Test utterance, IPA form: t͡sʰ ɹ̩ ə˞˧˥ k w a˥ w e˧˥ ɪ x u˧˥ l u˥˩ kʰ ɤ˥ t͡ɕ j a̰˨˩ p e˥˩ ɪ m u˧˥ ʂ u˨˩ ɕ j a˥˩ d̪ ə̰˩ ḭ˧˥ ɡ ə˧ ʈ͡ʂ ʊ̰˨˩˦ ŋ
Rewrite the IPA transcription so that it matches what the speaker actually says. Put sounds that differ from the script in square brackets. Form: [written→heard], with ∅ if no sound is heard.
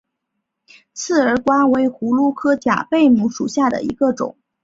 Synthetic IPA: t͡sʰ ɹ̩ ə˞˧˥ k w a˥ w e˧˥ ɪ x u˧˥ l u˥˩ kʰ ɤ˥ t͡ɕ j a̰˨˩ p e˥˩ ɪ m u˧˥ ʂ u˨˩ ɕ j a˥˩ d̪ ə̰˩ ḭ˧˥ ɡ ə˧ ʈ͡ʂ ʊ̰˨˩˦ ŋ